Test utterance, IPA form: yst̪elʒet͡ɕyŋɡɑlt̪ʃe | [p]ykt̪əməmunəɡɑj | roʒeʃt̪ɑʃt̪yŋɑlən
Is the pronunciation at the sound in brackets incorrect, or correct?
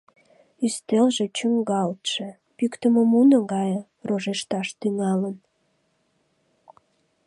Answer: correct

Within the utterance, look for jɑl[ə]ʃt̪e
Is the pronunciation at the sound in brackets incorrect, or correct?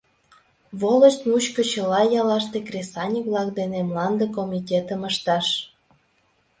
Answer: incorrect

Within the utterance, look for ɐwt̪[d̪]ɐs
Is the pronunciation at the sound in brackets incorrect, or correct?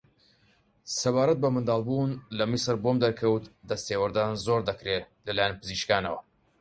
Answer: correct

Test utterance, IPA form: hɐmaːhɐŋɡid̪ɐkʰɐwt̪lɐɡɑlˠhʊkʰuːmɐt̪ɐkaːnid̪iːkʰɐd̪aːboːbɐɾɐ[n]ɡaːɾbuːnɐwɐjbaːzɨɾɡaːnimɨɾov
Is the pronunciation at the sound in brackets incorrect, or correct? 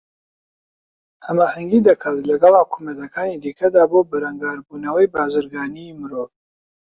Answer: incorrect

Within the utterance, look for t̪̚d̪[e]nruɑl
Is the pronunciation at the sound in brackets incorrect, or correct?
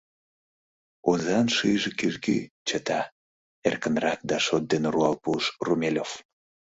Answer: correct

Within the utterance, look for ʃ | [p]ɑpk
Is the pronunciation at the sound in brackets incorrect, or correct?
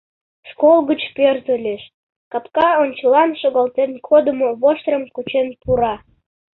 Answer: incorrect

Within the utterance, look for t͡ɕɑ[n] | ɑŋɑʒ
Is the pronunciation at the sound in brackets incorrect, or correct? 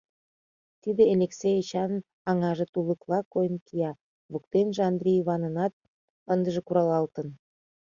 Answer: correct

